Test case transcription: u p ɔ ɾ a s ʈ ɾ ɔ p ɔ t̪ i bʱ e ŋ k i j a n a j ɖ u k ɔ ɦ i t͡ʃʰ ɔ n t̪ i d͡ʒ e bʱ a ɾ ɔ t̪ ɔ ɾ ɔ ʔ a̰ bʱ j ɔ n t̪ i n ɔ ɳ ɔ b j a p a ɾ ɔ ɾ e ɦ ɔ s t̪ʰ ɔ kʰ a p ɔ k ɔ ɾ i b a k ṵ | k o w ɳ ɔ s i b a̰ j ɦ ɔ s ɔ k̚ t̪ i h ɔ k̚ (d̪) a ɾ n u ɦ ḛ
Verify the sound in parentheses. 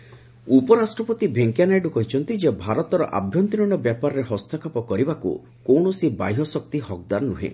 correct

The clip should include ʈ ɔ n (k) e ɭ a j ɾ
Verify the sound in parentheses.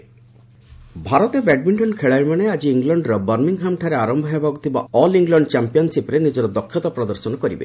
incorrect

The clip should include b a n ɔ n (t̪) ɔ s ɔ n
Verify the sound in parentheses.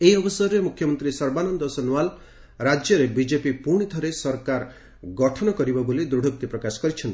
incorrect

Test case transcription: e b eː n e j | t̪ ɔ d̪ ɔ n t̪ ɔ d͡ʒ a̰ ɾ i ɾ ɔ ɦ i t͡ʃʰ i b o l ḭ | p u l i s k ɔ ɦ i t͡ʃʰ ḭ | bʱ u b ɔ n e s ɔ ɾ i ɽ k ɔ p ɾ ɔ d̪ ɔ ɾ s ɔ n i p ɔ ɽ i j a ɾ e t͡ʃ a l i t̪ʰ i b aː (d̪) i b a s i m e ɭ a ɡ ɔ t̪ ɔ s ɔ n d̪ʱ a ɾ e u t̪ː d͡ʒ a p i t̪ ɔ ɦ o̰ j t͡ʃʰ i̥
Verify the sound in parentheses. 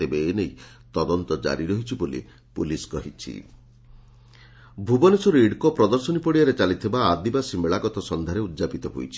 correct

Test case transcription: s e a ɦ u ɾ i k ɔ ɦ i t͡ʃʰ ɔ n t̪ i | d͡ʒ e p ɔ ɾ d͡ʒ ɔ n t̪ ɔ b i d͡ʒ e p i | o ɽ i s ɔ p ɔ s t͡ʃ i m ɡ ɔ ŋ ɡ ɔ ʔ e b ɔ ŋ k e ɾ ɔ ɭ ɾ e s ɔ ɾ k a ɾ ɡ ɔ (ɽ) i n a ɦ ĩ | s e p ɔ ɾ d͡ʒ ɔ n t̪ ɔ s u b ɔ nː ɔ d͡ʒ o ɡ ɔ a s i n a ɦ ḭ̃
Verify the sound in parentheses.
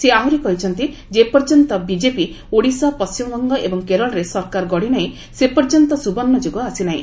correct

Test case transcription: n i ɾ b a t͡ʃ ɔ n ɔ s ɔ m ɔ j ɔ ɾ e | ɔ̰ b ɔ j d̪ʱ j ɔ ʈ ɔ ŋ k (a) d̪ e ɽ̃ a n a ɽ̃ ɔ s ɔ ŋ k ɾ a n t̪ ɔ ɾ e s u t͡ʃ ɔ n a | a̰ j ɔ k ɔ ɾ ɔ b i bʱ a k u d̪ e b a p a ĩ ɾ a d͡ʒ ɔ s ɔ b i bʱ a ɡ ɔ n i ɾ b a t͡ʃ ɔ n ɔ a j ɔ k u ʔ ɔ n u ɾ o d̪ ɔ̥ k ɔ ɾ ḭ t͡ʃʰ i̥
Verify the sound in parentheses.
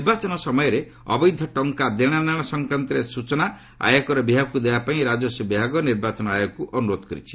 correct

